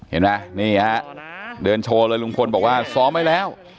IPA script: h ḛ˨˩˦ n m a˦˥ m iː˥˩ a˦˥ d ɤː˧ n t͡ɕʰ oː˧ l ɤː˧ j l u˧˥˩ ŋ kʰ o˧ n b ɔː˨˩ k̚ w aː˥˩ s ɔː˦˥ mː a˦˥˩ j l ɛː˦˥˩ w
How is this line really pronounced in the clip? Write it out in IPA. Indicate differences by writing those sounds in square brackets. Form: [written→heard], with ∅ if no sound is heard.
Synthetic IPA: h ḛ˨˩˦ n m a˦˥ [m→n] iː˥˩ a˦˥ d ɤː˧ n t͡ɕʰ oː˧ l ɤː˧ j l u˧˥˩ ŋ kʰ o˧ n b ɔː˨˩ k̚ w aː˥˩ s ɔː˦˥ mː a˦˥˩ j l ɛː˦˥˩ w